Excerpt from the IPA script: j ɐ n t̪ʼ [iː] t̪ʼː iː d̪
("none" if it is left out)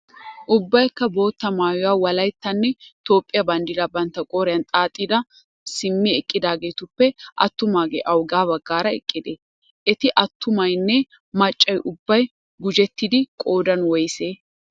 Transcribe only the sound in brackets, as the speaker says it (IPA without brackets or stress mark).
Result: aː